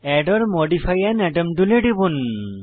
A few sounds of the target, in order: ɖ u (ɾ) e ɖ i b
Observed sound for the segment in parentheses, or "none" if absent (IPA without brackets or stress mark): l